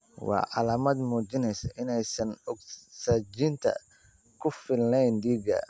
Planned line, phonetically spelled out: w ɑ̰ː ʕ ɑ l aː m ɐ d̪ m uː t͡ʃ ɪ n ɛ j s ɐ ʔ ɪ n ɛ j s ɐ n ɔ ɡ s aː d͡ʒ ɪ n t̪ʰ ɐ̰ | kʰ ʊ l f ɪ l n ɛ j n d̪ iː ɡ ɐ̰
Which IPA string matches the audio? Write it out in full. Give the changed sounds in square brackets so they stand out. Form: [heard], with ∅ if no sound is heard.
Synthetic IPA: w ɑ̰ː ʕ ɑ l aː m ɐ d̪ m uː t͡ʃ ɪ n ɛ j s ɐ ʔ ɪ n ɛ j s ɐ n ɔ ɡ s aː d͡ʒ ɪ n t̪ʰ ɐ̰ | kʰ ʊ [∅] f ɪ l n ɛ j n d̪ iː ɡ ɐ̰